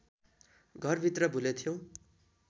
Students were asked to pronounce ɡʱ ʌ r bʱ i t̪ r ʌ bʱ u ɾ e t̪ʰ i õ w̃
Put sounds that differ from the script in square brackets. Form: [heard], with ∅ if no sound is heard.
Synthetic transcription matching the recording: ɡʱ ʌ r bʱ i t̪ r ʌ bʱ u [l] e t̪ʰ [j] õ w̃